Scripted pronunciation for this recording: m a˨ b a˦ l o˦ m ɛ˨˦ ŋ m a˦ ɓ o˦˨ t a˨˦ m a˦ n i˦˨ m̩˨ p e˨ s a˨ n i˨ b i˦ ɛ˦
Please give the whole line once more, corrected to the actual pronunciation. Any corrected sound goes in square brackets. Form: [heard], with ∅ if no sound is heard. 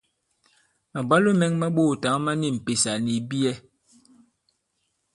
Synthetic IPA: m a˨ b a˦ l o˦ m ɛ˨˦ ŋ m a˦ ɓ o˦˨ t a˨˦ m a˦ n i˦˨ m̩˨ p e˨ s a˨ n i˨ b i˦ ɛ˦